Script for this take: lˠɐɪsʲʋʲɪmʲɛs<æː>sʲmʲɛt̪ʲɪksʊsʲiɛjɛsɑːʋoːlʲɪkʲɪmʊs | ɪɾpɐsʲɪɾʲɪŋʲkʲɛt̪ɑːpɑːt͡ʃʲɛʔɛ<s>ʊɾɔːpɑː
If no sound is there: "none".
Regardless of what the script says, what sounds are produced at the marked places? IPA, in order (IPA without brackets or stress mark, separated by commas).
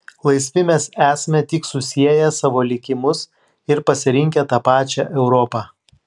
æː, none